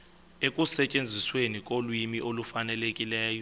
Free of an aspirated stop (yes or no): yes